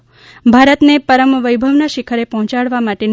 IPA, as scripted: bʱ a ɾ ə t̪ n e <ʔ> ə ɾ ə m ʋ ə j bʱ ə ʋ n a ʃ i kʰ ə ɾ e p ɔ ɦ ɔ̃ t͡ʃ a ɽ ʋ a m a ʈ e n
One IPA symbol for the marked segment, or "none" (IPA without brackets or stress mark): p